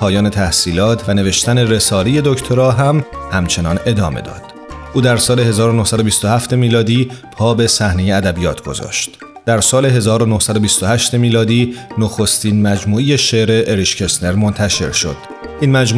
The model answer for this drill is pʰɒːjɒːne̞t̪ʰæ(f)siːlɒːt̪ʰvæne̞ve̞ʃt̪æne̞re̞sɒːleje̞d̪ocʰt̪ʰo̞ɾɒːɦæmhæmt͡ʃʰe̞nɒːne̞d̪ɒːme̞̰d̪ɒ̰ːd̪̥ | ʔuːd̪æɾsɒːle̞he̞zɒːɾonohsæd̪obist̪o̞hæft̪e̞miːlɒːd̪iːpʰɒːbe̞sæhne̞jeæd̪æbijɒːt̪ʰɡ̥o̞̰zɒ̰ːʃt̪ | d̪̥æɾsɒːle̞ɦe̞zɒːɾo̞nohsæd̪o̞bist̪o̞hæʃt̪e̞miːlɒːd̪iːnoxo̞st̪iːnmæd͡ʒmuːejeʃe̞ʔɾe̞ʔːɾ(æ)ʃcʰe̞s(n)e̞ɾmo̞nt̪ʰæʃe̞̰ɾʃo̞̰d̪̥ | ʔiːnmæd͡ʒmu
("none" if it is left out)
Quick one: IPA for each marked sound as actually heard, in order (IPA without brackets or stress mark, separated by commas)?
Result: h, i, n